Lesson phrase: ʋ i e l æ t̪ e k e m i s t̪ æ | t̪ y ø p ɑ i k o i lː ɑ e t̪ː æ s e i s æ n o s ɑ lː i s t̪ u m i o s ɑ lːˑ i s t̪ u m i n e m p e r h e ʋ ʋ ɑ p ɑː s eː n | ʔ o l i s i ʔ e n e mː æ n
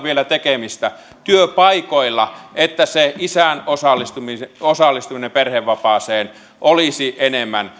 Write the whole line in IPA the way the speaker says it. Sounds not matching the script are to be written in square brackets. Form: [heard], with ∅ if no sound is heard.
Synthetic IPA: ʋ i e l æ t̪ e k e m i s t̪ æ | t̪ y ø p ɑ i k o i lː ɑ e t̪ː æ s e i s æ n o s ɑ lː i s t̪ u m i o s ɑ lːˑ i s t̪ u m i n e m p e r h e ʋ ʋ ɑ p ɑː s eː n | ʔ o l i s i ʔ e n e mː æ n